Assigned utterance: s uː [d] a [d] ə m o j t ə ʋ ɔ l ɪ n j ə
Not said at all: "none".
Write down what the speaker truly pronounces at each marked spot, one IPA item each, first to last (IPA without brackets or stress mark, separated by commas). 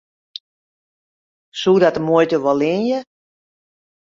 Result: d, t